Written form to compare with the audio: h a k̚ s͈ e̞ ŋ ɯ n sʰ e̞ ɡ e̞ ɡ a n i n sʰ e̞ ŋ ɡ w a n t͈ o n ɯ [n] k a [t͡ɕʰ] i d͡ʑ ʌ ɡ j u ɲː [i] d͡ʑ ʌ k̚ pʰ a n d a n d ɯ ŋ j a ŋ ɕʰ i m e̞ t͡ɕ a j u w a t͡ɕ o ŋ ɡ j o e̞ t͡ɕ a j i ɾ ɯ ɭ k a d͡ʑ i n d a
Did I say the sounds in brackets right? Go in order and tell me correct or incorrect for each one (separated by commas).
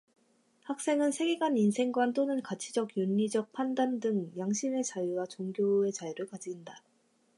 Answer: correct, correct, correct